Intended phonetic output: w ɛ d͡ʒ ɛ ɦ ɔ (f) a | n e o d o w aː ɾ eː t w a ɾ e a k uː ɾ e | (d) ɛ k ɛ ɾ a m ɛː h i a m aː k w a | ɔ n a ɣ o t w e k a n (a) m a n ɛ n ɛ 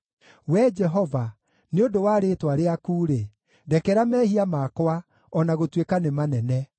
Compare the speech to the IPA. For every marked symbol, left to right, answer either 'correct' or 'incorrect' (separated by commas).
incorrect, correct, incorrect